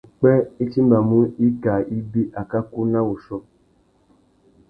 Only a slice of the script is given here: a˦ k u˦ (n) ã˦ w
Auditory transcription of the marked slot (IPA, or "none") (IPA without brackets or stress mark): n